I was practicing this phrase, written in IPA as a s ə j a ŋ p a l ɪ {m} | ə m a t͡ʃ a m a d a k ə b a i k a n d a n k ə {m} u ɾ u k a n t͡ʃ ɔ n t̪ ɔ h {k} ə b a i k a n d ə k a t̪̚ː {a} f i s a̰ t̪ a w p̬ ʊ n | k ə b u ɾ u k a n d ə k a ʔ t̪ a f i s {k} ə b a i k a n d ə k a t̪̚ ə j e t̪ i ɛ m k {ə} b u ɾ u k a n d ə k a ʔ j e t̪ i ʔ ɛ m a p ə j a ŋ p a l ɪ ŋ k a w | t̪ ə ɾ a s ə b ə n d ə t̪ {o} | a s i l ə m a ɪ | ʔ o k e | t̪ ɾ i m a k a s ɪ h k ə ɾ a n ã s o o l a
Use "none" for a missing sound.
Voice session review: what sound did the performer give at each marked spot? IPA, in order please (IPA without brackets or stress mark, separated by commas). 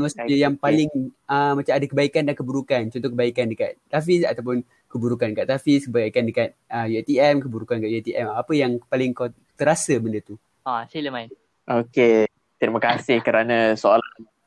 ŋ, b, k, a, k, ə, u